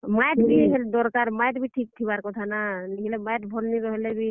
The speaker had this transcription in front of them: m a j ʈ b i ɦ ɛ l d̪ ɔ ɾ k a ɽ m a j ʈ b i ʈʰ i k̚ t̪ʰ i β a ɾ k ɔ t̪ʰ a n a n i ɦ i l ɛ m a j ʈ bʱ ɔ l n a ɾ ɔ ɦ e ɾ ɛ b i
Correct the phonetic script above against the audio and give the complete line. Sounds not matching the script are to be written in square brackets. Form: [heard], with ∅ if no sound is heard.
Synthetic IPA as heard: m a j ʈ b i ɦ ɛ l d̪ ɔ ɾ k a [ɾ] m a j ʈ b i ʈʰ i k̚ t̪ʰ i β a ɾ k ɔ t̪ʰ a n a n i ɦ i l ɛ m a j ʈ bʱ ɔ l n [i] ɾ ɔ ɦ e [l] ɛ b i